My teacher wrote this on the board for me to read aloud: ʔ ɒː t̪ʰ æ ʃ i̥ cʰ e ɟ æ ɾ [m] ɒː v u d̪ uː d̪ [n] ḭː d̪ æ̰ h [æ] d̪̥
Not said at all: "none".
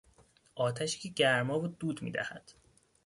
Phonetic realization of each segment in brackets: m, m, æ

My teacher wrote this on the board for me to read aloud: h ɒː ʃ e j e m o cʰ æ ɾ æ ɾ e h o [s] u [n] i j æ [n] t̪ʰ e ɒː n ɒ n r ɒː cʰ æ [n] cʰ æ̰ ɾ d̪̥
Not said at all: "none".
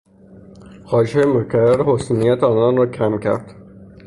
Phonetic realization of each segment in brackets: s, n, none, m

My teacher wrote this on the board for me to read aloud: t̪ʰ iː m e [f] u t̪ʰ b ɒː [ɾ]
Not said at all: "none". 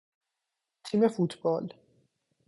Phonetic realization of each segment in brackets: f, l

